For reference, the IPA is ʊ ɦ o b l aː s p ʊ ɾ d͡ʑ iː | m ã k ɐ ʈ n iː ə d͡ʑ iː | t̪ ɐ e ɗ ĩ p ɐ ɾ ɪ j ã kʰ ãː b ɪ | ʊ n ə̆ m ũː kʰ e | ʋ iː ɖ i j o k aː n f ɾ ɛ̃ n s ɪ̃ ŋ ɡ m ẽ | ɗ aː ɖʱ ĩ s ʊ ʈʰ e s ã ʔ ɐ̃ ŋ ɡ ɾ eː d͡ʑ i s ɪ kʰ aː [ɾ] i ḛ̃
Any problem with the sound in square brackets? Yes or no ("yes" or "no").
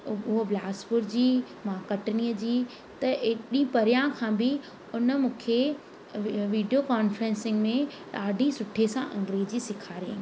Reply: no